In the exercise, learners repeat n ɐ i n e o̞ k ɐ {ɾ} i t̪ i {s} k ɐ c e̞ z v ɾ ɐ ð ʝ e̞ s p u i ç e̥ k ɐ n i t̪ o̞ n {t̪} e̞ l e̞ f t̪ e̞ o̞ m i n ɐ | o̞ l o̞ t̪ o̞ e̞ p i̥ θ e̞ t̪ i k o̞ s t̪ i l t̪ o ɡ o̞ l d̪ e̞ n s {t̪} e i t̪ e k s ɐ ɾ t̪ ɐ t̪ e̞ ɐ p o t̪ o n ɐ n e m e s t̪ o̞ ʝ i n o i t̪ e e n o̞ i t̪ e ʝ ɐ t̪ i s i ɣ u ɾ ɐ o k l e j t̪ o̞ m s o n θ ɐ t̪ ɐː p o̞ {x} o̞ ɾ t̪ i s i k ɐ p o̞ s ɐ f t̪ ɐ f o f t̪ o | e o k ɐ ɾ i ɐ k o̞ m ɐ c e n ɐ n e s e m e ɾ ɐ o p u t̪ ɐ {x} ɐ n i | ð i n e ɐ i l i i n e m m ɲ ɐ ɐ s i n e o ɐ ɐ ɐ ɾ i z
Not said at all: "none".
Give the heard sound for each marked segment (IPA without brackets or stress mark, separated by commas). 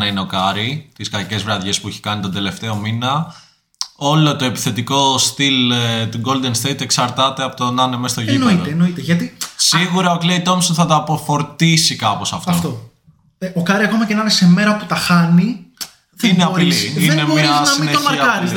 ɾ, s, d̪, t̪, f, x